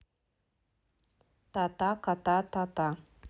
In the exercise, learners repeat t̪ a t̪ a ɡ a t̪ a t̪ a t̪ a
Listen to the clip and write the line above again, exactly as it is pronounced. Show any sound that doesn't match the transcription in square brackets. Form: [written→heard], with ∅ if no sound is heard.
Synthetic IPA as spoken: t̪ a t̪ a [ɡ→k] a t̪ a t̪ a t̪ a